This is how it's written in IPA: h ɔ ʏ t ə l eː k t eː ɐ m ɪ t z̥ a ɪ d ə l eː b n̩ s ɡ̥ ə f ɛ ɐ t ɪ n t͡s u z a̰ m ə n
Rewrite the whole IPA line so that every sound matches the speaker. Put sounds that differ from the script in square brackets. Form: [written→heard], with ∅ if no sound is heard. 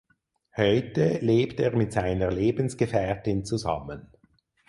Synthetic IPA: h ɔ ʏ t ə l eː [k→p] t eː ɐ m ɪ t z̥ a ɪ [d→n] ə l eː b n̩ s ɡ̥ ə f ɛ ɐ t ɪ n t͡s u z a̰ m ə n

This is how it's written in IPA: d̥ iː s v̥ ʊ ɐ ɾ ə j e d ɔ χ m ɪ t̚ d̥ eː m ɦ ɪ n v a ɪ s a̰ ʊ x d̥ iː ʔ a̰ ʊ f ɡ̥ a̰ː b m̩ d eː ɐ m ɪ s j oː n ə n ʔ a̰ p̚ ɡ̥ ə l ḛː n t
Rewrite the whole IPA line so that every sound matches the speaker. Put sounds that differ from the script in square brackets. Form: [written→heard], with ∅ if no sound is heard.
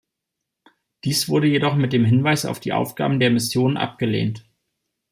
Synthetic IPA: d̥ iː s v̥ ʊ ɐ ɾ ə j e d ɔ χ m ɪ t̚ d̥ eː m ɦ ɪ n v a ɪ s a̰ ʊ [x→f] d̥ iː ʔ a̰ ʊ f ɡ̥ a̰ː b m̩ d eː ɐ m ɪ s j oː n ə n ʔ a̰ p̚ ɡ̥ ə l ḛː n t

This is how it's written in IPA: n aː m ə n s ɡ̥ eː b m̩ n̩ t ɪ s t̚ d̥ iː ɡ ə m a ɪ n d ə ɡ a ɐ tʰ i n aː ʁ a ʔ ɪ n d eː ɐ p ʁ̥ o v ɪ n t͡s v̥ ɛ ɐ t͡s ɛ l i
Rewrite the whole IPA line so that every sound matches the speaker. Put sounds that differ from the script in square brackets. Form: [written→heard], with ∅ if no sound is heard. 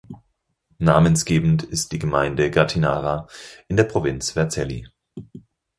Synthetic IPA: n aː m ə n s ɡ̥ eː b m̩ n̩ t ɪ s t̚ d̥ iː ɡ ə m a ɪ n d ə ɡ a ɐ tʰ i n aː ʁ a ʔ ɪ n d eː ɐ p ʁ̥ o v ɪ n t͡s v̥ ɛ ɐ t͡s ɛ l i

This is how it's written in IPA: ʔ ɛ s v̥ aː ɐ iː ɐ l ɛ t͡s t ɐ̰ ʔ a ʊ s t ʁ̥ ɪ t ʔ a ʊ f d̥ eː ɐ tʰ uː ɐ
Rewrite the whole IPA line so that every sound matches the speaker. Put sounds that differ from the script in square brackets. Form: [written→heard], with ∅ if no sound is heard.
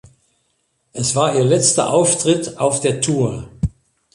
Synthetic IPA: ʔ ɛ s v̥ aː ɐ iː ɐ l ɛ t͡s t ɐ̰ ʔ a ʊ [s→f] t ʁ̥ ɪ t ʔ a ʊ f d̥ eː ɐ tʰ uː ɐ

